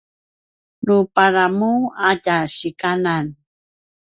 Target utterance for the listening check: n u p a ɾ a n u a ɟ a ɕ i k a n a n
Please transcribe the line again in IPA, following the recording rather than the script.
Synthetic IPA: n u p a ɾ a m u a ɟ a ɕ i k a n a n